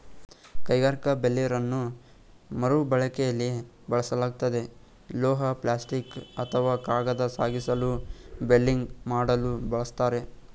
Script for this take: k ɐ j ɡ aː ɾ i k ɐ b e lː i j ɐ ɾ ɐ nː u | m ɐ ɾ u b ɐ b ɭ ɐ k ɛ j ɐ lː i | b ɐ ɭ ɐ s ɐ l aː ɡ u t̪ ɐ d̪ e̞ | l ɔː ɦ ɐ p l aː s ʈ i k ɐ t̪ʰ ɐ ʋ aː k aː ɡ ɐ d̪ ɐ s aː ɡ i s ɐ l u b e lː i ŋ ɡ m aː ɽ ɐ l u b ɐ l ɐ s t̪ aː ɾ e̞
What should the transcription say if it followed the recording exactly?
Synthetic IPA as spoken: k ɐ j ɡ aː ɾ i k ɐ b e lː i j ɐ ɾ ɐ nː u | m ɐ ɾ u b ɐ ɭ ɐ k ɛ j ɐ lː i | b ɐ ɭ ɐ s ɐ l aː ɡ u t̪ ɐ d̪ e̞ | l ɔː ɦ ɐ p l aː s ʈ i k ɐ t̪ʰ ɐ ʋ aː k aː ɡ ɐ d̪ ɐ s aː ɡ i s ɐ l u b e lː i ŋ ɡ m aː ɽ ɐ l u b ɐ ɭ ɐ s t̪ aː ɾ e̞